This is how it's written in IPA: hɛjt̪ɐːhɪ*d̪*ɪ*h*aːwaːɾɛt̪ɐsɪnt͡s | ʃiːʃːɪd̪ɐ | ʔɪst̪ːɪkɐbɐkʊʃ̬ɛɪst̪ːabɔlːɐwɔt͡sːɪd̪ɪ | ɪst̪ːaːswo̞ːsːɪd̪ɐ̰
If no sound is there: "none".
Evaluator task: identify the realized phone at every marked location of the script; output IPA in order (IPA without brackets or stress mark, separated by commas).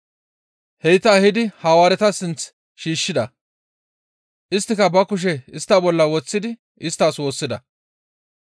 d̪, h